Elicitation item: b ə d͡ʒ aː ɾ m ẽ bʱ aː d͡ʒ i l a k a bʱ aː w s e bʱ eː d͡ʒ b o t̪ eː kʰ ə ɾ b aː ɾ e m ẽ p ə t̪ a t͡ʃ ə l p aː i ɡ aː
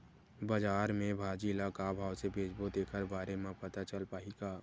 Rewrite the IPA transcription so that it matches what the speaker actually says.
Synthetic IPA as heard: b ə d͡ʒ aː ɾ m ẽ bʱ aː d͡ʒ i l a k a bʱ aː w s e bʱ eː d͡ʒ b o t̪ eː kʰ ə ɾ b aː ɾ e m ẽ p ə t̪ a t͡ʃ ə l p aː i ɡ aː